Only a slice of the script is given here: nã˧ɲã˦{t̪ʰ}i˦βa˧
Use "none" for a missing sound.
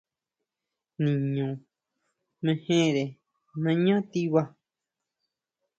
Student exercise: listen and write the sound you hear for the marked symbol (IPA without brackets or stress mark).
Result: t̪